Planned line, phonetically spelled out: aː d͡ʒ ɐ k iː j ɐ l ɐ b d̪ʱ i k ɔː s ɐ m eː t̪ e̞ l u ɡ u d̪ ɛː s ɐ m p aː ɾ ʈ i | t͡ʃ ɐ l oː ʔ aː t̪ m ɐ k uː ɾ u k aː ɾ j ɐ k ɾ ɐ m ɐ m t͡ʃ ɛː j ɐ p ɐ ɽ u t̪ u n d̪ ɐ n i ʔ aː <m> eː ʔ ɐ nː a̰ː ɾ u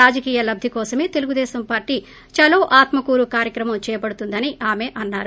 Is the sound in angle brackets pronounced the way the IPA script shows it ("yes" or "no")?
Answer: yes